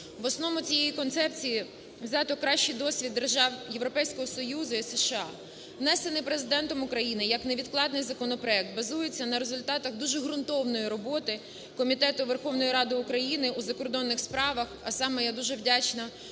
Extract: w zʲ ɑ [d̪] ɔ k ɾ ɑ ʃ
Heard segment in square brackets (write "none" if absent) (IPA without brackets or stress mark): t̪